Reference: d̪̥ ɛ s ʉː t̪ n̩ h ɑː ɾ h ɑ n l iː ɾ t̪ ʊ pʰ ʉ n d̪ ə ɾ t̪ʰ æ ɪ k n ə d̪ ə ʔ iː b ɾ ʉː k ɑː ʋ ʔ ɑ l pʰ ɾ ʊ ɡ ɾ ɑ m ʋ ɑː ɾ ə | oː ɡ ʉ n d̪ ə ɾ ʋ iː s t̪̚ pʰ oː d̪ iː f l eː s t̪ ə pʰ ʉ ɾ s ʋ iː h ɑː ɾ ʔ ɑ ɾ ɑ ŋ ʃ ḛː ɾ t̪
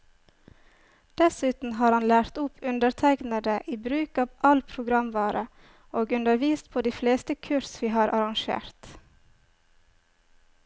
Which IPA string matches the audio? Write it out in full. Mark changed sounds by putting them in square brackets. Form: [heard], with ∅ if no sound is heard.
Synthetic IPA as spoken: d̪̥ ɛ s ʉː t̪ n̩ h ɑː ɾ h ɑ n l [æː] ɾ t̪ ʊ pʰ ʉ n d̪ ə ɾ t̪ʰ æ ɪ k n ə d̪ ə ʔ iː b ɾ ʉː k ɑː ʋ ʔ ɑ l pʰ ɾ ʊ ɡ ɾ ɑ m ʋ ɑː ɾ ə | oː ɡ ʉ n d̪ ə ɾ ʋ iː s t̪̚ pʰ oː d̪ iː f l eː s t̪ ə [kʰ] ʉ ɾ s ʋ iː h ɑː ɾ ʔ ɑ ɾ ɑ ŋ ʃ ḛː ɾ t̪